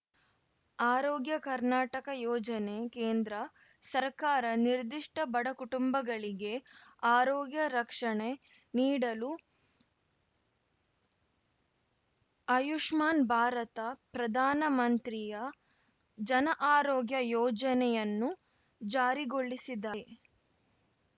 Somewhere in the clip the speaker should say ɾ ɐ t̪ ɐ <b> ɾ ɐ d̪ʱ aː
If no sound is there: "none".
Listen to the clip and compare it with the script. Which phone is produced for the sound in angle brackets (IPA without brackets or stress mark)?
p